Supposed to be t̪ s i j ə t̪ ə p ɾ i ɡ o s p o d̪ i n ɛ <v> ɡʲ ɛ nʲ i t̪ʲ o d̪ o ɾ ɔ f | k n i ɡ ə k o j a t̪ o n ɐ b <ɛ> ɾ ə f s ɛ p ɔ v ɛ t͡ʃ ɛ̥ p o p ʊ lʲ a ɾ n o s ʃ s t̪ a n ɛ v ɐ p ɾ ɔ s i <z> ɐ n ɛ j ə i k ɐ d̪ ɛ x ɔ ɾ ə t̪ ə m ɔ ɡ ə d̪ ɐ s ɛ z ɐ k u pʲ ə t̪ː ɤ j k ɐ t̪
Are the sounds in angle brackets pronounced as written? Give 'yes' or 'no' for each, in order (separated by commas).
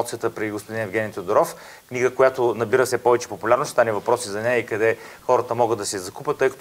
yes, no, yes